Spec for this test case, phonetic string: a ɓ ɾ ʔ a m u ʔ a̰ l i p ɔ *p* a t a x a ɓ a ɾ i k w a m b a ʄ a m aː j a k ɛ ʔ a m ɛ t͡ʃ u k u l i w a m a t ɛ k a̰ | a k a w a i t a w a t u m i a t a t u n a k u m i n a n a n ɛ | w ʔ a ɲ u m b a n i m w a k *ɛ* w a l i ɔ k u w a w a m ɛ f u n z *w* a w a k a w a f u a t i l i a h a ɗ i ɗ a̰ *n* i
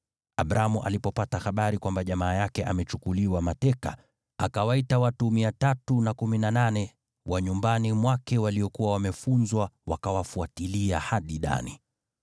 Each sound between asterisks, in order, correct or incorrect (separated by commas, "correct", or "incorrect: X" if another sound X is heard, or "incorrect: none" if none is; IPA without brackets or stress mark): correct, correct, correct, correct